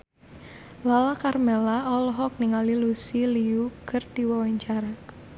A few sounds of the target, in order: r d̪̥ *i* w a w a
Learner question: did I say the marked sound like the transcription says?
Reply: yes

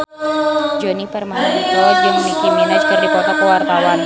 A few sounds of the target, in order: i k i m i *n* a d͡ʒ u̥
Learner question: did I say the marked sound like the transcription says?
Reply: yes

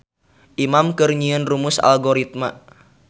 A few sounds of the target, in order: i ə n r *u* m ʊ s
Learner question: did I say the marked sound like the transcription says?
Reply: yes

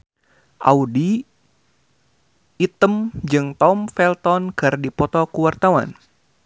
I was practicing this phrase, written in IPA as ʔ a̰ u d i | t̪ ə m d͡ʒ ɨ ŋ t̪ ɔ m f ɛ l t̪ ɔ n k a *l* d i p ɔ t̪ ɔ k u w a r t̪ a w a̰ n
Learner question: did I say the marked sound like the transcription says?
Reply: no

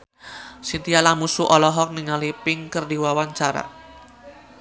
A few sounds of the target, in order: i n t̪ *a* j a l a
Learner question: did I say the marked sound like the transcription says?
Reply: no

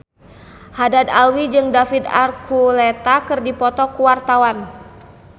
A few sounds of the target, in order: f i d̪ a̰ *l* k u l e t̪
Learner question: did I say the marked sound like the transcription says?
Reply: no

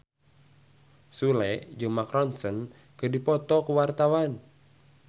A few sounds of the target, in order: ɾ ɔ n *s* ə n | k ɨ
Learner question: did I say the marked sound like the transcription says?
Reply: yes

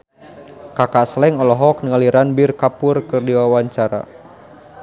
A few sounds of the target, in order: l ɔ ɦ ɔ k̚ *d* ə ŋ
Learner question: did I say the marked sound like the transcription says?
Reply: no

